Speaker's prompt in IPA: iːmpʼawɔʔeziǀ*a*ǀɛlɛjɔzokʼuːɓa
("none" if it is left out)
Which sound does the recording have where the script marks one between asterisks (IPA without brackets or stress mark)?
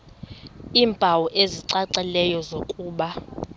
a